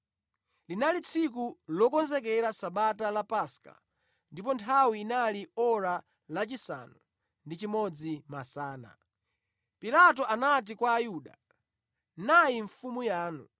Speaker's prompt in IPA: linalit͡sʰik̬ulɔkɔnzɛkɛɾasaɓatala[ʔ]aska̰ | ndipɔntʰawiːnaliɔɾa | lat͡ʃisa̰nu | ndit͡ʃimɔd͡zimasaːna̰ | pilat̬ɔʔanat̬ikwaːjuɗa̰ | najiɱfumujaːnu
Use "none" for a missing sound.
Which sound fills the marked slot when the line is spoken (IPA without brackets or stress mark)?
p